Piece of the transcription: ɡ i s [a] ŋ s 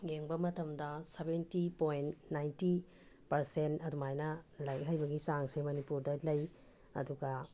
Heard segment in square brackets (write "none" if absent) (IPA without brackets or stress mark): a